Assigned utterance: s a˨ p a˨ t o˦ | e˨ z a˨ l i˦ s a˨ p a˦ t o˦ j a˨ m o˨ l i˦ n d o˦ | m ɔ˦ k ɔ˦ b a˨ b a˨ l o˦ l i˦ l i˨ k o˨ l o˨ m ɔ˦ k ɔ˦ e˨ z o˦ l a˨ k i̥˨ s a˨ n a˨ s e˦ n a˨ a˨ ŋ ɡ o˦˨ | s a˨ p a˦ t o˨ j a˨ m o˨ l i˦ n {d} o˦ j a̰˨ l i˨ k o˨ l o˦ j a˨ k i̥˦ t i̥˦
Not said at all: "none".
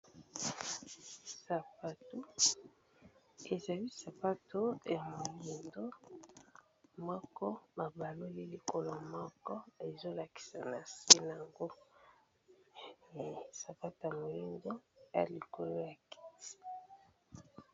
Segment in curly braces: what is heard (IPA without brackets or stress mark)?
d